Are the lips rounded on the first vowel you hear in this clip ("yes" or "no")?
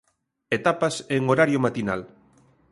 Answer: no